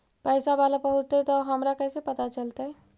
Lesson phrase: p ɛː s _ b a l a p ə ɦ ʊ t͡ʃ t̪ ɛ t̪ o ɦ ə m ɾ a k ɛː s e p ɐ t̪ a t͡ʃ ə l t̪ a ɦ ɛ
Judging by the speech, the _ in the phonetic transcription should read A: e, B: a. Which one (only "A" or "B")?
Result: B